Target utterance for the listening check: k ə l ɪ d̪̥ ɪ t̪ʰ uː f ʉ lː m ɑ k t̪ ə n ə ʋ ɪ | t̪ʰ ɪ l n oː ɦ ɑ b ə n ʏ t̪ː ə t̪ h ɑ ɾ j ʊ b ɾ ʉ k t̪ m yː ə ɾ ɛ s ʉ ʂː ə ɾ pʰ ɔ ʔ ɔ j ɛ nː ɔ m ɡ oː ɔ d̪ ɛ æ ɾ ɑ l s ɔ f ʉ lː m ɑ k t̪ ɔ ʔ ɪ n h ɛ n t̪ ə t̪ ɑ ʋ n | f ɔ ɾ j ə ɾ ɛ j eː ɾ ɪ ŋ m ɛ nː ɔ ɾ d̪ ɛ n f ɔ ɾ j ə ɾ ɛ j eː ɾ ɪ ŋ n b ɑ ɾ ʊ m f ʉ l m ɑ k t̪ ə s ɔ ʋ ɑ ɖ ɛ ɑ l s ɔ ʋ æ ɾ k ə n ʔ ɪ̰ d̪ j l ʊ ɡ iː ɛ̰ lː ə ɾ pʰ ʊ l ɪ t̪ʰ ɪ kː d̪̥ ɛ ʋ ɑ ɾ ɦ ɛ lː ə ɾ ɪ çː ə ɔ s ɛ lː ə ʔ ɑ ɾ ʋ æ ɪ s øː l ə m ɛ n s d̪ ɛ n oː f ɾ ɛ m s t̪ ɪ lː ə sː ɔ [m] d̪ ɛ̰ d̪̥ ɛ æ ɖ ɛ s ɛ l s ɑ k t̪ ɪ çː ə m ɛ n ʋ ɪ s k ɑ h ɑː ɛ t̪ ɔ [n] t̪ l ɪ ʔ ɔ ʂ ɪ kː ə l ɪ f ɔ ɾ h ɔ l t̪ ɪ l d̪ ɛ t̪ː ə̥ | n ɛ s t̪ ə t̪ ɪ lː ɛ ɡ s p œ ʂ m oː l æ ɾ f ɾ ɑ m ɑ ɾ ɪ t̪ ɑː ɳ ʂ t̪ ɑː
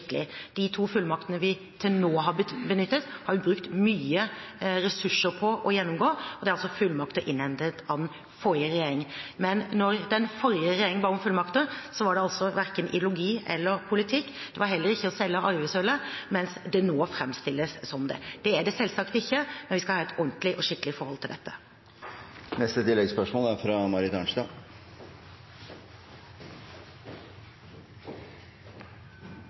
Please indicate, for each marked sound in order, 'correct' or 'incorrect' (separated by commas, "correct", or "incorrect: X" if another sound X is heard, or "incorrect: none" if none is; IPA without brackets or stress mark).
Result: correct, correct